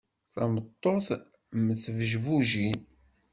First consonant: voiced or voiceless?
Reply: voiceless